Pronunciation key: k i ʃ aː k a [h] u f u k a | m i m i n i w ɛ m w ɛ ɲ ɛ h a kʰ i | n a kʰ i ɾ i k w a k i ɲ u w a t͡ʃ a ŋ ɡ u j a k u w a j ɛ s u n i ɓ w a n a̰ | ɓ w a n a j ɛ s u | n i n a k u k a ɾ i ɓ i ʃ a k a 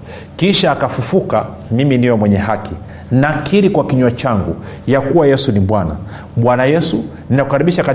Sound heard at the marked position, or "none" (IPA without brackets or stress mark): f